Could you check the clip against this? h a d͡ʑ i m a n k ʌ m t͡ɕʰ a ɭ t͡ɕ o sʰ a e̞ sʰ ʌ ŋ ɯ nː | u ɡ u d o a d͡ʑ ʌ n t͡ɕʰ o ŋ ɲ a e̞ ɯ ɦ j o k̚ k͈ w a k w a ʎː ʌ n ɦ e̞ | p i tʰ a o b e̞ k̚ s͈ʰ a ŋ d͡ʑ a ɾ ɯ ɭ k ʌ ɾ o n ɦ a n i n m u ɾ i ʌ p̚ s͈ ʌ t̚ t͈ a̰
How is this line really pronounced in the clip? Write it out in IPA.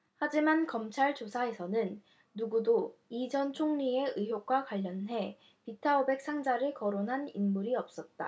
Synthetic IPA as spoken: h a d͡ʑ i m a n k ʌ m t͡ɕʰ a ɭ t͡ɕ o sʰ a e̞ sʰ ʌ n ɯ nː | u ɡ u d o i d͡ʑ ʌ n t͡ɕʰ o ŋ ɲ i e̞ ɯ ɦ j o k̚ k͈ w a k w a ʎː ʌ n ɦ e̞ | p i tʰ a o b e̞ k̚ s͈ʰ a ŋ d͡ʑ a ɾ ɯ ɭ k ʌ ɾ o n ɦ a n i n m u ɾ i ʌ p̚ s͈ ʌ t̚ t͈ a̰